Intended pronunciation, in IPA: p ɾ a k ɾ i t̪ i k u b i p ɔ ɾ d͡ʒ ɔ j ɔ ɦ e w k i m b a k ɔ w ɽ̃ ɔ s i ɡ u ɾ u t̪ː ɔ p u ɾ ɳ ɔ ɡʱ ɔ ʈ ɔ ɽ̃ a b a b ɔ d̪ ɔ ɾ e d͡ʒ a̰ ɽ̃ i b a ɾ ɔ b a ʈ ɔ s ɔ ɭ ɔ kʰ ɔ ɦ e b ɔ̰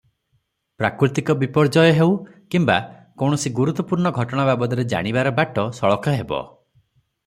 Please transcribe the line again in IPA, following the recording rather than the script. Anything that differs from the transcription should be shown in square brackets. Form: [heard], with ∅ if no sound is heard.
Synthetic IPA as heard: p ɾ a k ɾ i t̪ i k [ɔ] b i p ɔ ɾ d͡ʒ ɔ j ɔ ɦ e w k i m b a k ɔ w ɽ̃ ɔ s i ɡ u ɾ u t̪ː ɔ p u ɾ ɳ ɔ ɡʱ ɔ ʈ ɔ ɽ̃ a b a b ɔ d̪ ɔ ɾ e d͡ʒ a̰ ɽ̃ i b a ɾ ɔ b a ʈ ɔ s ɔ ɭ ɔ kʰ ɔ ɦ e b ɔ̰